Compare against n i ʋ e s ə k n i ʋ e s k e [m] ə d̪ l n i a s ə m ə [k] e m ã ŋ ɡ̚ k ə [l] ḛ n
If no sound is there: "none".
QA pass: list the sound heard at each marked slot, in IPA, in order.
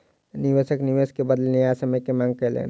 b, k, l

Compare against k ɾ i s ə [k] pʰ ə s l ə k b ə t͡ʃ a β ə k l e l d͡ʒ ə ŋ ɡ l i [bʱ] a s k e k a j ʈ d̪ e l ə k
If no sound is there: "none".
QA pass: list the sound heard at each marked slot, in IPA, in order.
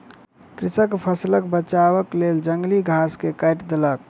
k, ɡʱ

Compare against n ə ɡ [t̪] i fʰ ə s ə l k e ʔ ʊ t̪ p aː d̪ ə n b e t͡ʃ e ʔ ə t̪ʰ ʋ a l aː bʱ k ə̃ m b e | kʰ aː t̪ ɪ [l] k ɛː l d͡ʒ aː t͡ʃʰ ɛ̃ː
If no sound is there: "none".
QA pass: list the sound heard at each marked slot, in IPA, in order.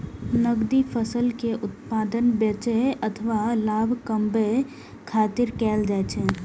d̪, ɾ

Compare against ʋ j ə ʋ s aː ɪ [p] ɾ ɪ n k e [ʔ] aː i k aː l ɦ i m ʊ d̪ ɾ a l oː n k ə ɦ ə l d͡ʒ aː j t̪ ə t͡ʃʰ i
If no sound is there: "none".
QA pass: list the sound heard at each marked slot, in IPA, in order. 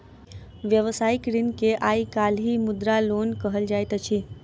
k, ʔ

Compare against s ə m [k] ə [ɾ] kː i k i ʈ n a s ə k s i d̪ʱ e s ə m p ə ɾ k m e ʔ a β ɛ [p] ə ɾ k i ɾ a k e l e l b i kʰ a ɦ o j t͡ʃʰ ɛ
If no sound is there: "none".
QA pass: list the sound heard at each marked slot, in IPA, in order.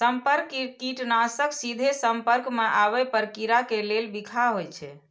p, ɾ, p

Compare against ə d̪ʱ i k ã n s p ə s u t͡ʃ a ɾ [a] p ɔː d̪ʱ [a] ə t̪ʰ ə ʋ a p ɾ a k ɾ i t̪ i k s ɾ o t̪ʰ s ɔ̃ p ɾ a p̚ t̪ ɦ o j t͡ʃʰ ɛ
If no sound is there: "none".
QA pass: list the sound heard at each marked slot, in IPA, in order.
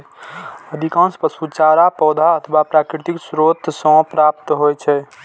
a, a

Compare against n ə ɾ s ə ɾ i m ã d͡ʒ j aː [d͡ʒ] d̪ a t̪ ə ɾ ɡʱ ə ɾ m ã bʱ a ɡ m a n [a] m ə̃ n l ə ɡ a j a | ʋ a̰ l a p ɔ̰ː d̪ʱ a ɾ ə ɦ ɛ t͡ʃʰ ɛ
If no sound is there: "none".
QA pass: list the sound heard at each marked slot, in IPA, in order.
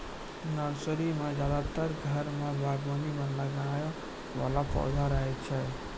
none, i

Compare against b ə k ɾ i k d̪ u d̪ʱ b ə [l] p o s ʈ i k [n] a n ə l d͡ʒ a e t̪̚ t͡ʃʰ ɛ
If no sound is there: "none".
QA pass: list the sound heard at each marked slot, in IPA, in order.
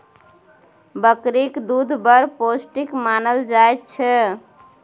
ɾ, m

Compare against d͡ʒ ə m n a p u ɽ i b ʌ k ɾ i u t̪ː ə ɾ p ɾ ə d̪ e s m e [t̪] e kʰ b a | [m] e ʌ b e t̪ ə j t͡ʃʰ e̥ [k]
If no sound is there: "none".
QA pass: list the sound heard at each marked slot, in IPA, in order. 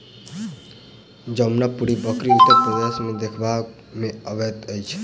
d̪, m, none

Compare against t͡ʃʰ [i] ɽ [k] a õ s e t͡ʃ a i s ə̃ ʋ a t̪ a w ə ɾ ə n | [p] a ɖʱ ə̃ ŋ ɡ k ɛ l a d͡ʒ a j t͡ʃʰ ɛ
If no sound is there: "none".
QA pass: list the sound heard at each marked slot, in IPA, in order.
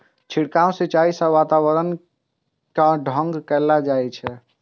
i, k, k

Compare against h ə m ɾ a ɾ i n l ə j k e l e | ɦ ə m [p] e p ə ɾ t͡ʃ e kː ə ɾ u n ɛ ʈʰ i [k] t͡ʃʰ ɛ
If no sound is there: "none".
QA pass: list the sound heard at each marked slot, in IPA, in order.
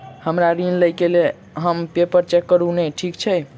p, k

